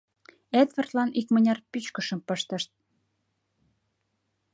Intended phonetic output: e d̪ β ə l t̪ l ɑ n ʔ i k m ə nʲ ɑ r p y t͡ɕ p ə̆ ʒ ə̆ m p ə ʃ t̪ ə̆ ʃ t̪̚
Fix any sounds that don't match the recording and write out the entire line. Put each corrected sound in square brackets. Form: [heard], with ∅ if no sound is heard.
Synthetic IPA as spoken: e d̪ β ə [r] t̪ l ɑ n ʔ i k m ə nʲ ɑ r p y t͡ɕ [k] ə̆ [ʃ] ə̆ m p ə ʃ t̪ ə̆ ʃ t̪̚